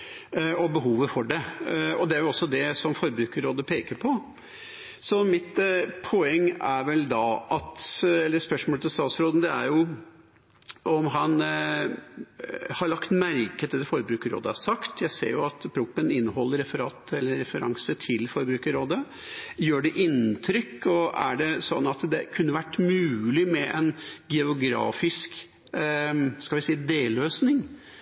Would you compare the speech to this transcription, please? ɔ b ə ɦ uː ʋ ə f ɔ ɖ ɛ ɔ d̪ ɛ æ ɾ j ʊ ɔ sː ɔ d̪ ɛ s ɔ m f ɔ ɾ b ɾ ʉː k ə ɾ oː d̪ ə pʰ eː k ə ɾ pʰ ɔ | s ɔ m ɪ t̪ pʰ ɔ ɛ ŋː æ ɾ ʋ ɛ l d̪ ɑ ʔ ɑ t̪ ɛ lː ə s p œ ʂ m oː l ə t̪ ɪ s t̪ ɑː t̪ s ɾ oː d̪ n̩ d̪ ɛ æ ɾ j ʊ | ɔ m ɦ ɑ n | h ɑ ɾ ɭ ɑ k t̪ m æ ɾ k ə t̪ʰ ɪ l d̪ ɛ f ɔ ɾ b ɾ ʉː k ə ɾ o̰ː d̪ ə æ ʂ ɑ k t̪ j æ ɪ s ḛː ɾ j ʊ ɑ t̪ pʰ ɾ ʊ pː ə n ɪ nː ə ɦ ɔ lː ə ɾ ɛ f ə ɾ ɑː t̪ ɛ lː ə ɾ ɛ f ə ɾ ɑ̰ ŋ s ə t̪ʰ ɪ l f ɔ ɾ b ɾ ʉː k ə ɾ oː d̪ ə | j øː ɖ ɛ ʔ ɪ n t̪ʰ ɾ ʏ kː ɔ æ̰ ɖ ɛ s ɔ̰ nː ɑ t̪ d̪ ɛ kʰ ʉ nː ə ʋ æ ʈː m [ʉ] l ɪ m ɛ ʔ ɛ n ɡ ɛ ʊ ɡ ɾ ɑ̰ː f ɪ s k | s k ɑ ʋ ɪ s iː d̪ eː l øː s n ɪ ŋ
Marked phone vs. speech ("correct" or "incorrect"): incorrect